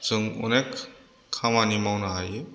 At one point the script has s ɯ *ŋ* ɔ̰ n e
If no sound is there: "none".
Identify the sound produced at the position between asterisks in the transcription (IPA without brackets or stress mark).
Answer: ŋ